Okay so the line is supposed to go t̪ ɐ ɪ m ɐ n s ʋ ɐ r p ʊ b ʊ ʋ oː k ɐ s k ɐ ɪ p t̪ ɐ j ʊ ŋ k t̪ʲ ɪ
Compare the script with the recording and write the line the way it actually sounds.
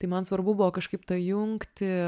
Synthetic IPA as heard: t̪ ɐ ɪ m ɐ n s ʋ ɐ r b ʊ b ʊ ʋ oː k ɐ ʃ k ɐ ɪ p t̪ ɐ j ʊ ŋ k t̪ʲ ɪ